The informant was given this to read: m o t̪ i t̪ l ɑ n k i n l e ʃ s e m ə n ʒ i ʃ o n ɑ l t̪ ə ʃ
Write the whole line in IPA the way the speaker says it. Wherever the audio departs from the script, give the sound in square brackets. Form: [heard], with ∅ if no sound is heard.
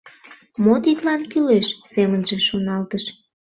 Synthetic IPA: m o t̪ i t̪ l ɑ n k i [∅] l e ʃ s e m ə n ʒ [e] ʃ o n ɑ l t̪ ə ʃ